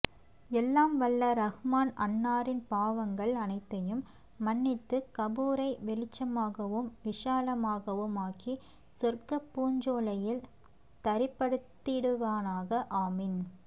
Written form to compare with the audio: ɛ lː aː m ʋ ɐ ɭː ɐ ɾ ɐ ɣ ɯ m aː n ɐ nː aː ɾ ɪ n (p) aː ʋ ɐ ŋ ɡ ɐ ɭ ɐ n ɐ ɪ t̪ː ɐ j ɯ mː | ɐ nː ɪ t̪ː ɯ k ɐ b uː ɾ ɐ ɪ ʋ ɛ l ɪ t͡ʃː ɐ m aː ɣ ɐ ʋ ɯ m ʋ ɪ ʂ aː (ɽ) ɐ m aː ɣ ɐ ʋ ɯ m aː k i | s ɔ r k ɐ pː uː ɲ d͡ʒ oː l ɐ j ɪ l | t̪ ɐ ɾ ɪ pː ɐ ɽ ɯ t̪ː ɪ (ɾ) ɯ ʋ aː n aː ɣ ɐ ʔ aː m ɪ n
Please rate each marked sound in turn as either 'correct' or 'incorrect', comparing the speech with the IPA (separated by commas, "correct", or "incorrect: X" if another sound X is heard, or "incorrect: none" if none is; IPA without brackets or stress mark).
correct, incorrect: l, incorrect: ɽ